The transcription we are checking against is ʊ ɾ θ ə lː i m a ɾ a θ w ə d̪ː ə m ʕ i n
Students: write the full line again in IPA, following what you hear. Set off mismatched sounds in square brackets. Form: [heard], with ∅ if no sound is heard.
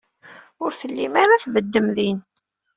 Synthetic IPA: ʊ ɾ θ ə lː i m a ɾ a θ [v] ə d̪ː ə m [ð] i n